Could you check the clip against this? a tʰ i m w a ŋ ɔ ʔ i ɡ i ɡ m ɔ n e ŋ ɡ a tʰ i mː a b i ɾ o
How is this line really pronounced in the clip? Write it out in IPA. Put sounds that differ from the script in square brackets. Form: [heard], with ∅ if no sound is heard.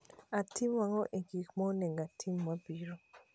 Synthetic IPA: a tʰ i m w a ŋ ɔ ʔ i ɡ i [k] m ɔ n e ŋ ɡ a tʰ i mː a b i ɾ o